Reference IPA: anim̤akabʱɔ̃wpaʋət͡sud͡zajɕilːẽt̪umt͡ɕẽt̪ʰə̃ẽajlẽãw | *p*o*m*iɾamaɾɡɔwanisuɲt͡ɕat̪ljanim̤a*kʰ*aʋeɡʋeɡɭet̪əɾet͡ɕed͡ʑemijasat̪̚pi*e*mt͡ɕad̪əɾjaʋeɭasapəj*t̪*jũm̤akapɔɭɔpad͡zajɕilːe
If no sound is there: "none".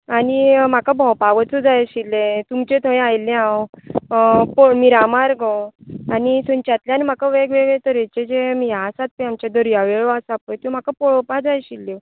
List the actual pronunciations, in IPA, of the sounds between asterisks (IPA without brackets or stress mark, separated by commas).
p, m, k, a, t̪